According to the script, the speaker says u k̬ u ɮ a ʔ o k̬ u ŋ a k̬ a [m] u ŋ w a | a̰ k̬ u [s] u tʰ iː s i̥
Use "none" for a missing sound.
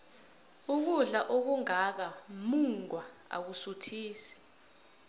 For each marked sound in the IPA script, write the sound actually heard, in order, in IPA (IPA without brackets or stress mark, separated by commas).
m, s